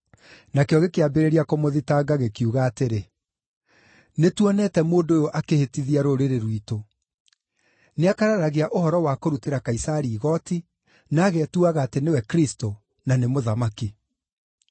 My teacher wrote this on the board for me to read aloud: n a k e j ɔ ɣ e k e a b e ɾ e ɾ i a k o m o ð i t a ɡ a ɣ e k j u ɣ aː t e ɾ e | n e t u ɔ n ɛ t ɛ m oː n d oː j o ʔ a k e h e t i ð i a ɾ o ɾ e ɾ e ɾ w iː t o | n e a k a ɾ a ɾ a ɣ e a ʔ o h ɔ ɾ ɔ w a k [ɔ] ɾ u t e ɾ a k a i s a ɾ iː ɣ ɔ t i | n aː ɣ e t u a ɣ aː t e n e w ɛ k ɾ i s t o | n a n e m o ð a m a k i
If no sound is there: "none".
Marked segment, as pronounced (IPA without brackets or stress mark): o